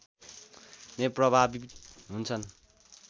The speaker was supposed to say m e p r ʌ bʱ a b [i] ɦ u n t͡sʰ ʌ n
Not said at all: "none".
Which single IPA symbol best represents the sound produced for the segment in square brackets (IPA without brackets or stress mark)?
i